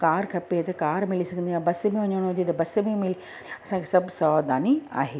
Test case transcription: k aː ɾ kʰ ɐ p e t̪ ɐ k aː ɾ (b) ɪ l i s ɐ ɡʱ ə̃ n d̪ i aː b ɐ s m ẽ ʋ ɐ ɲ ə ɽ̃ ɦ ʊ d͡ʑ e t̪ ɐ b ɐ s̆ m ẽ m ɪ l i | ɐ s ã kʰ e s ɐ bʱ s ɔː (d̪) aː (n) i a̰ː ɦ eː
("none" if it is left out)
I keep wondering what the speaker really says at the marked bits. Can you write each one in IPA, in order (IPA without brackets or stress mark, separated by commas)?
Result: m, d̪, n